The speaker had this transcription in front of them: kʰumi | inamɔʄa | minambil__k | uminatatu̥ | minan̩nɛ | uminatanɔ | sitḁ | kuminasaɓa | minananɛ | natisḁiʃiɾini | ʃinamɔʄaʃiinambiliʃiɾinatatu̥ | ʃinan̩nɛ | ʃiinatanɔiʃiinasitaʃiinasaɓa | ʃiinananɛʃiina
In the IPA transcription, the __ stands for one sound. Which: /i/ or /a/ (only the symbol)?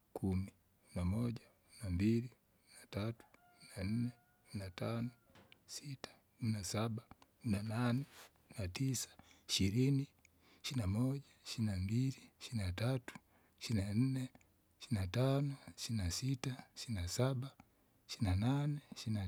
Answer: i